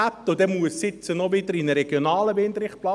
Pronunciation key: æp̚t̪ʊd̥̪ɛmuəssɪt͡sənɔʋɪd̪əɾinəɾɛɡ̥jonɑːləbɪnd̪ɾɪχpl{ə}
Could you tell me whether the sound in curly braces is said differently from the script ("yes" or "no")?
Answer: yes